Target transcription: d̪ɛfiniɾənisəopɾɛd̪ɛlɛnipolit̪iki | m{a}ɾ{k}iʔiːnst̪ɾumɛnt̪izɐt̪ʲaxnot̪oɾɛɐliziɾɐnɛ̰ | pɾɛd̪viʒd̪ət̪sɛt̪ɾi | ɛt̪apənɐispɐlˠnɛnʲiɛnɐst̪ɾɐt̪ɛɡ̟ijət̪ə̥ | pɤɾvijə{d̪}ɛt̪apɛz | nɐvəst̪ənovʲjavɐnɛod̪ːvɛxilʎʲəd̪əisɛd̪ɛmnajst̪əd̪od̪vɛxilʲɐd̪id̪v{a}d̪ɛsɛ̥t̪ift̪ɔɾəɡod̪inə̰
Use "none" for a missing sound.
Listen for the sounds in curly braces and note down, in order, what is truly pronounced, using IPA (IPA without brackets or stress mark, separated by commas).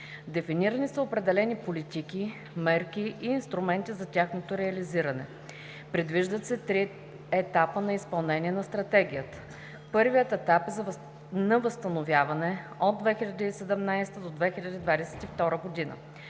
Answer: ɛ, k, t̪, a